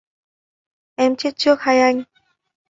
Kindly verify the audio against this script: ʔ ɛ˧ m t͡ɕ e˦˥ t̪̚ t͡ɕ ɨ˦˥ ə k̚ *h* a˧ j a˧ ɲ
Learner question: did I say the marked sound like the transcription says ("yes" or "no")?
yes